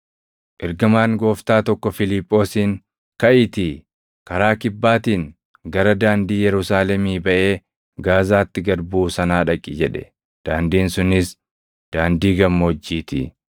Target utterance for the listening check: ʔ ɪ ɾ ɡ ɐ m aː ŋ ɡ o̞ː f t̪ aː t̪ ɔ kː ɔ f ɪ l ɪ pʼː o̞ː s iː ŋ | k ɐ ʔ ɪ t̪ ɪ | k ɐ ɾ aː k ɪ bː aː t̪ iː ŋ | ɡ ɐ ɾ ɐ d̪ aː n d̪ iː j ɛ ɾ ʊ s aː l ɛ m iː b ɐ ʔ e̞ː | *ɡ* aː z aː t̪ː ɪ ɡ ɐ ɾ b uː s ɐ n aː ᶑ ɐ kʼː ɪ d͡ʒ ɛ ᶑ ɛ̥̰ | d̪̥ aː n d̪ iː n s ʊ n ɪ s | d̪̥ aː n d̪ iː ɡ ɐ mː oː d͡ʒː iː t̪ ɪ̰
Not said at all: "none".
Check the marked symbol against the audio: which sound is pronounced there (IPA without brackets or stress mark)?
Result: ɡ